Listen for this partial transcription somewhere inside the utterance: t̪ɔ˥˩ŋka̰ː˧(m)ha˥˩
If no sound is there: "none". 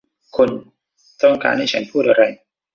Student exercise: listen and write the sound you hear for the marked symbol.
n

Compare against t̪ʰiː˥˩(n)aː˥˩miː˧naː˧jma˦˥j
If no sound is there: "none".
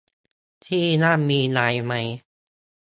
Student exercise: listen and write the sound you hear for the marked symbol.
n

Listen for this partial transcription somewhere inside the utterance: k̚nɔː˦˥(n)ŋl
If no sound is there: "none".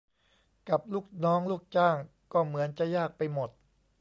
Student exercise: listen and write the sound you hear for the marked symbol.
none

